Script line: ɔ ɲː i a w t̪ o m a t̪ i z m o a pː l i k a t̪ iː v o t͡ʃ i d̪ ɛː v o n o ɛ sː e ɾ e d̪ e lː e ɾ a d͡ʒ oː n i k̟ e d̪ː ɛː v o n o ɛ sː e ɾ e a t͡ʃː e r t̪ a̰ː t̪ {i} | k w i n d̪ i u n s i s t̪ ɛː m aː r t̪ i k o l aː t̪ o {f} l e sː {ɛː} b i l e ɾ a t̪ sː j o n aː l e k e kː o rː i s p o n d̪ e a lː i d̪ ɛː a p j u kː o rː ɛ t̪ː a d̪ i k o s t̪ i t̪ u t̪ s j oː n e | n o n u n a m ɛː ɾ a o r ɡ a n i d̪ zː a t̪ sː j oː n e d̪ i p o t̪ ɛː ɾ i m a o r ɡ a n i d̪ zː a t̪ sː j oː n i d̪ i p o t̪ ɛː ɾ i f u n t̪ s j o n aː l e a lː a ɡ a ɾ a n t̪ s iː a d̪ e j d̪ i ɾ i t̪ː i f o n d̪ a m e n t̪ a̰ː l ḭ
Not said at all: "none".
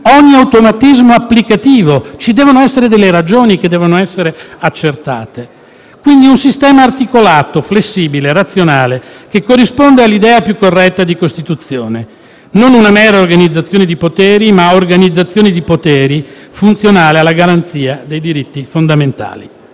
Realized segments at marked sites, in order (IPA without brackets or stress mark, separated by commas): e, f, iː